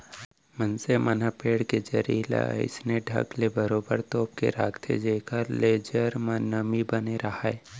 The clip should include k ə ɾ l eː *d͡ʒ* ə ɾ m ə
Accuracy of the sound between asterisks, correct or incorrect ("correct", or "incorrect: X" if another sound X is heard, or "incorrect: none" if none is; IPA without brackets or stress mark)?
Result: correct